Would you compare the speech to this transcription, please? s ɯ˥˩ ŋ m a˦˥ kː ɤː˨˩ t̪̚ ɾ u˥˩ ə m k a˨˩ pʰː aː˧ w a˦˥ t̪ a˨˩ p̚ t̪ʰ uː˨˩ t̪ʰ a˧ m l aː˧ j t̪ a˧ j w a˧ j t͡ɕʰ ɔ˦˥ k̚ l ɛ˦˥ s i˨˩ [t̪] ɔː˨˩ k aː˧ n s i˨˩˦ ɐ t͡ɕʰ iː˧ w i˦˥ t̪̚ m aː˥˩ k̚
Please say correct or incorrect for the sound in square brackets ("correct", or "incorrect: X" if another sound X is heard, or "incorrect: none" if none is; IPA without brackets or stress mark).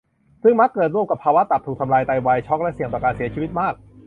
correct